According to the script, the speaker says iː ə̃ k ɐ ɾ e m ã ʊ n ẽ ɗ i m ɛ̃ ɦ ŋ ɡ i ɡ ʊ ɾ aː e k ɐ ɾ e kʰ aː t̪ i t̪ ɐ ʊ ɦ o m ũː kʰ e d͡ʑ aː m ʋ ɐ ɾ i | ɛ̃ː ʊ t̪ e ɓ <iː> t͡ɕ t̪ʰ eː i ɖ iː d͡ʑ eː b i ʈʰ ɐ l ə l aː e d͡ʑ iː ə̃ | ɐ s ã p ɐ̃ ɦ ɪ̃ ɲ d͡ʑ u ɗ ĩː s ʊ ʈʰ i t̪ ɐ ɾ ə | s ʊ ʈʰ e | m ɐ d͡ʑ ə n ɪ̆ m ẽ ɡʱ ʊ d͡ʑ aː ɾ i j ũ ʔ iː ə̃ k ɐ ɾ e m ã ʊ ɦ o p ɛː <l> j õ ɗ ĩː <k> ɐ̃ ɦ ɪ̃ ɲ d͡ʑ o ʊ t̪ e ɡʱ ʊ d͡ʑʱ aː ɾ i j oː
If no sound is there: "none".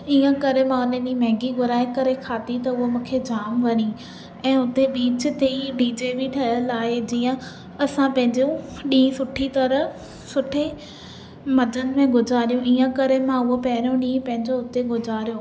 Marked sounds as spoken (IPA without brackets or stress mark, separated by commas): iː, ɾ, p